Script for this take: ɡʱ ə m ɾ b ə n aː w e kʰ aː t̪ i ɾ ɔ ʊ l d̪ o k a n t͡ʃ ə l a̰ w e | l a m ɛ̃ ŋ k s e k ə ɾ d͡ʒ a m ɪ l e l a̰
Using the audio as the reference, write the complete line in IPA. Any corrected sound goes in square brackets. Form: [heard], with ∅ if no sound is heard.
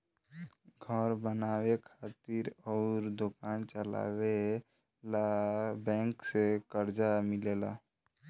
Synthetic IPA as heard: ɡʱ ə [∅] ɾ b ə n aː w e kʰ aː t̪ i ɾ ɔ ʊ [ɾ] d̪ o k a n t͡ʃ ə l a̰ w e | l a [b] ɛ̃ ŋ k s e k ə ɾ d͡ʒ a m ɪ l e l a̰